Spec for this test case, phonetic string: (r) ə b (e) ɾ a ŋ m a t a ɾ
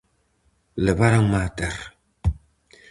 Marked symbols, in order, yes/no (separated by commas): no, no